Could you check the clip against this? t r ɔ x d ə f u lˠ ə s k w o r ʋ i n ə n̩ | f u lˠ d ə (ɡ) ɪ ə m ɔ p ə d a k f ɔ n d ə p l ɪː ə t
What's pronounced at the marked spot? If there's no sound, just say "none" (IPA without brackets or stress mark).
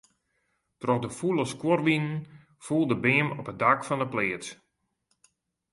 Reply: b